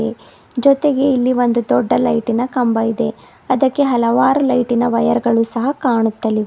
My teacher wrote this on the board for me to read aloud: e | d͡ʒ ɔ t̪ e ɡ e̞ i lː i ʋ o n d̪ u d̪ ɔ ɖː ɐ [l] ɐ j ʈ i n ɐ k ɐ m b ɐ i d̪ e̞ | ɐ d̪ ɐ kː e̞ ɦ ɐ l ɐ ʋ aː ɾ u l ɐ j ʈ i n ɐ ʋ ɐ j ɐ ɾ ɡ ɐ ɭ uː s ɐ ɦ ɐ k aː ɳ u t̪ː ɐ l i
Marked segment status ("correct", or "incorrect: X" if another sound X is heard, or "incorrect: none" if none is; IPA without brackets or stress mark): correct